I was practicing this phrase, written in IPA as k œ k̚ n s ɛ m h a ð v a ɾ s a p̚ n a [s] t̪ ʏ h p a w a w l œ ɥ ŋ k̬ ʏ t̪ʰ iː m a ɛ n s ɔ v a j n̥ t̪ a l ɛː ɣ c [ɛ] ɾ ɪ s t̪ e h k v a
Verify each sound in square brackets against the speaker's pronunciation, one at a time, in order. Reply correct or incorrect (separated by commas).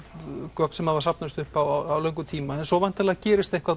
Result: correct, incorrect